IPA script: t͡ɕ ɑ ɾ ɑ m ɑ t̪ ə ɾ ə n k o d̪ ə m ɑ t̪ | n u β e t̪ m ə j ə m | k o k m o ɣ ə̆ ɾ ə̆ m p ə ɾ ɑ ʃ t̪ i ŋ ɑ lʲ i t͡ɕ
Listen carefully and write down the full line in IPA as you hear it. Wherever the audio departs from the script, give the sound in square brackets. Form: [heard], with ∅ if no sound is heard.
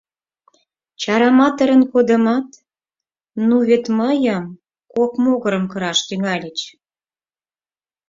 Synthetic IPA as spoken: t͡ɕ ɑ ɾ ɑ m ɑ t̪ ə ɾ ə n k o d̪ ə m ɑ t̪ | n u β e t̪ m ə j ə m | k o k m o ɣ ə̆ ɾ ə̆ m [k] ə ɾ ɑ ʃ t̪ [y] ŋ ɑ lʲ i t͡ɕ